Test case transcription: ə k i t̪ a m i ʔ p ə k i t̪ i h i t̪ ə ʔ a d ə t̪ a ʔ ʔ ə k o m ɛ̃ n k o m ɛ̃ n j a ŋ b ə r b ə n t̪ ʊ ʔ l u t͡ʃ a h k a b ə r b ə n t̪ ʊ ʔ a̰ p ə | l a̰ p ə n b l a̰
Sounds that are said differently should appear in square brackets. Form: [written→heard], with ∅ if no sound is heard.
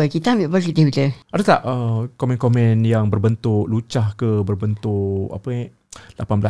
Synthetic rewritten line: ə k i t̪ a m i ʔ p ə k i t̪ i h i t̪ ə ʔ a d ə t̪ a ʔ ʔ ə k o m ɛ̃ n k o m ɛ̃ n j a ŋ b ə r b ə n t̪ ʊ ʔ l u t͡ʃ a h k [a→ə] b ə r b ə n t̪ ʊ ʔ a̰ p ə | l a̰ p [ə→a] n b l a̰